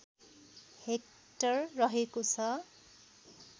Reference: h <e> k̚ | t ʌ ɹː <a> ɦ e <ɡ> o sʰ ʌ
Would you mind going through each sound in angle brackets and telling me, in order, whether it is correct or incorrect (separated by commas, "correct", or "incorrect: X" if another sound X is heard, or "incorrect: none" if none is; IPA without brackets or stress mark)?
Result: correct, incorrect: ʌ, incorrect: k